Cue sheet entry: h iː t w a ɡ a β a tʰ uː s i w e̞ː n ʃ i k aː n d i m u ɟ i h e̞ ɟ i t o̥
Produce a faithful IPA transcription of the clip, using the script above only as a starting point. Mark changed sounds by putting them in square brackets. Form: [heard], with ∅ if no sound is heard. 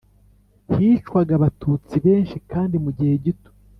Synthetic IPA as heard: h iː [t͡ʃ] w a ɡ a β a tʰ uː [t͡s] i [β] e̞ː n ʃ i k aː n d i m u ɟ i h e̞ ɟ i t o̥